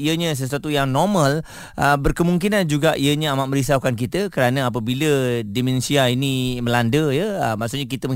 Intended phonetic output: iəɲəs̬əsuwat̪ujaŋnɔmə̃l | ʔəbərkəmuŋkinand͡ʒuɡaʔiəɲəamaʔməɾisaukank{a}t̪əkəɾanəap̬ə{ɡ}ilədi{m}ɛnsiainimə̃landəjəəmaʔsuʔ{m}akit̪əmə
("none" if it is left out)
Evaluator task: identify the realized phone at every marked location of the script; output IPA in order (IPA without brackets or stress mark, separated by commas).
i, b, m, ɲ